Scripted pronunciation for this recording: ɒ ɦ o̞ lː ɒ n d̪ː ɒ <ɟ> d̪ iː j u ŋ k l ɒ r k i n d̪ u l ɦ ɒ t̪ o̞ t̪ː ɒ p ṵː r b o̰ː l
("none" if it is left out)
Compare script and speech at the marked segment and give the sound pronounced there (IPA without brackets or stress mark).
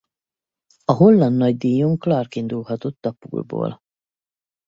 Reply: ɟ